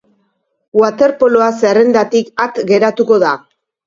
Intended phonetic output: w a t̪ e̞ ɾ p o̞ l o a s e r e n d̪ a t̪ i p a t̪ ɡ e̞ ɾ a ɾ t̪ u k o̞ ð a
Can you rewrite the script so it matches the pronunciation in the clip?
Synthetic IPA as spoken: w a t̪ e̞ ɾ p o̞ l o a s e r e n d̪ a t̪ i k a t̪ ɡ e̞ ɾ a t̪ u k o̞ ð a